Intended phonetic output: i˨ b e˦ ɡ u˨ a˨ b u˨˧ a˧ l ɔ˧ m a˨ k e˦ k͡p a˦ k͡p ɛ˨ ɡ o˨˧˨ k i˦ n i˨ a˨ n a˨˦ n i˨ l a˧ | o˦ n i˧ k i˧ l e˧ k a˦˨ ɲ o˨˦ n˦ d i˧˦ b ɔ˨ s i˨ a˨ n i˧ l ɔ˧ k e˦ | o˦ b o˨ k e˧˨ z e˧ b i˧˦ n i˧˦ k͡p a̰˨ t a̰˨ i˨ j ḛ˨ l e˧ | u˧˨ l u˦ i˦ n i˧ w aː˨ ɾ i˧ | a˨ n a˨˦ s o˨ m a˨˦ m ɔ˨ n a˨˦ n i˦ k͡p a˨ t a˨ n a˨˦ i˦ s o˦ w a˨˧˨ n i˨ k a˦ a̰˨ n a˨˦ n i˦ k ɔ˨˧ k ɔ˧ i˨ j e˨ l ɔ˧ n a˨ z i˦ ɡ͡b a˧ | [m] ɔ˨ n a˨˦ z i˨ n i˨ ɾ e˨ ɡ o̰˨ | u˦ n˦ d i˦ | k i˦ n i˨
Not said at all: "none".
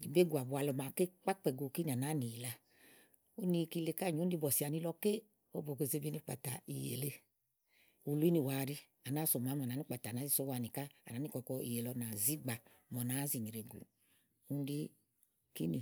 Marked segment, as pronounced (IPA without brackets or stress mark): m